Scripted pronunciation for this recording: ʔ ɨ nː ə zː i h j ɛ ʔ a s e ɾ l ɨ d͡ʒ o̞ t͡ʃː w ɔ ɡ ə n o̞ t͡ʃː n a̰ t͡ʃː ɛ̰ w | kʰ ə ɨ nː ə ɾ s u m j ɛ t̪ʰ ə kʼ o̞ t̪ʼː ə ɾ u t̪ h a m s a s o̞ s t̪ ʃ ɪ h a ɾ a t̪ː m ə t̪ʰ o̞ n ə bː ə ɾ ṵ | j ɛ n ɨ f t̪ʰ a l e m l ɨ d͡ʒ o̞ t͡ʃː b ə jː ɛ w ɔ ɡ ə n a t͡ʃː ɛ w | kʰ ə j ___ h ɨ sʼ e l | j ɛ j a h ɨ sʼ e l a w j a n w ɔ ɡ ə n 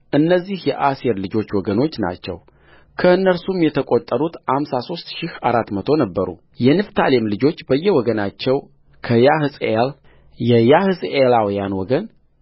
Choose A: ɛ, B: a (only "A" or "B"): B